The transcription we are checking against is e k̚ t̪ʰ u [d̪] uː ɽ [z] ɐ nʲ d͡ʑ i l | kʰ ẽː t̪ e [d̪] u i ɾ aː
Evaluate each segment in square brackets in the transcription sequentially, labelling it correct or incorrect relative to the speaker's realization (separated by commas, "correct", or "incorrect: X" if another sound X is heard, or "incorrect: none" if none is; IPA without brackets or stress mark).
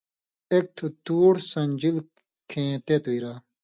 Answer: incorrect: t̪, incorrect: s, incorrect: t̪